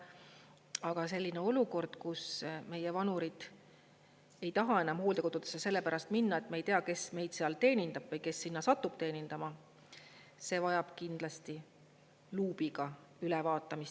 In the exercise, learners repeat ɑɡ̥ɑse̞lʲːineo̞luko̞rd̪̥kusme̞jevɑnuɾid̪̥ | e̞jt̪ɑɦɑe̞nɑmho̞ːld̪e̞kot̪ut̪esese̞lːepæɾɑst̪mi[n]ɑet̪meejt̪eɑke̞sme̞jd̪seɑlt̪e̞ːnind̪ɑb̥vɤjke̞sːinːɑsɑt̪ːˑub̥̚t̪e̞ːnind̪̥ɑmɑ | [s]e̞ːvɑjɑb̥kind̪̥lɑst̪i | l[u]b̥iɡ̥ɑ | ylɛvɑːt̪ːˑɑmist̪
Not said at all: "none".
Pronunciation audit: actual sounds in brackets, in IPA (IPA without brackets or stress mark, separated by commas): nː, s, uː